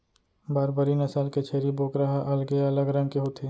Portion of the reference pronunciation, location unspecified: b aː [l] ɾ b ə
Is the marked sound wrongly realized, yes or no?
yes